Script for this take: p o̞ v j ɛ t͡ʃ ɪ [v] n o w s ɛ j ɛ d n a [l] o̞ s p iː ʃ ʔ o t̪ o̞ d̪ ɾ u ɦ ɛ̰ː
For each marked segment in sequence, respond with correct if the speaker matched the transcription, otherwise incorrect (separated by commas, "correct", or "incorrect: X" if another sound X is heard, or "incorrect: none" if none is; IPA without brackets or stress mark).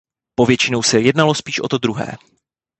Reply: incorrect: none, correct